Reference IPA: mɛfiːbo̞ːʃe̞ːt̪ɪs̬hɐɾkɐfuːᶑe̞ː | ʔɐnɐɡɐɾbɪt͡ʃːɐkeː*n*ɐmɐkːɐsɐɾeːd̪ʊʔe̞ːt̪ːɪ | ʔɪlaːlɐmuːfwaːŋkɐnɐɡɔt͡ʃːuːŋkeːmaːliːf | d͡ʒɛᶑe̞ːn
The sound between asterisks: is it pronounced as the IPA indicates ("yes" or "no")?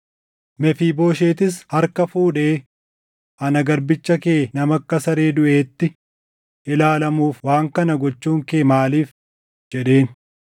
yes